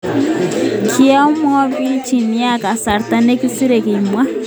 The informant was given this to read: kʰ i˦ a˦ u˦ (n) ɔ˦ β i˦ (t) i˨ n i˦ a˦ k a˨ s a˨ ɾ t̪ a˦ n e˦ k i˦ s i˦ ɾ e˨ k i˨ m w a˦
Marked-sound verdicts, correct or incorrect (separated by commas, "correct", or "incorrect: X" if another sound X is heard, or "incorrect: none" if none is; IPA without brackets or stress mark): incorrect: m, incorrect: t͡ʃ